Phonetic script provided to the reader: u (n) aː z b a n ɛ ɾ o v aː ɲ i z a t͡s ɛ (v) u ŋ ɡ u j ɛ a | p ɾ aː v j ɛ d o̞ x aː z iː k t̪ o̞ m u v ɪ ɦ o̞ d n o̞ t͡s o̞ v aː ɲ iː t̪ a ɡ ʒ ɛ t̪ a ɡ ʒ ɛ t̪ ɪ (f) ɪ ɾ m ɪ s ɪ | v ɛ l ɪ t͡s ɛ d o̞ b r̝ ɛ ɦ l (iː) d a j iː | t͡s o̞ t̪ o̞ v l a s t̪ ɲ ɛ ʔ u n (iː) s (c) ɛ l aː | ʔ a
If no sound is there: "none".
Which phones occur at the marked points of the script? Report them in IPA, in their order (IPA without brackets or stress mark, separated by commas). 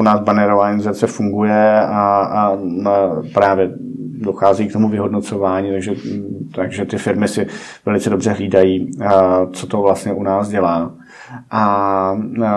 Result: n, f, f, iː, aː, ɟ